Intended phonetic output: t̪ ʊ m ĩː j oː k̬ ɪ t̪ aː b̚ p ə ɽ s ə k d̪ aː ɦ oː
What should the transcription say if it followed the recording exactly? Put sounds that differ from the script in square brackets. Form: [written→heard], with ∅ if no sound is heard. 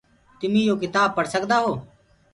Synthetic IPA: t̪ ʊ m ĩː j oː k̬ ɪ t̪ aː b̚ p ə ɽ s ə k d̪ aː ɦ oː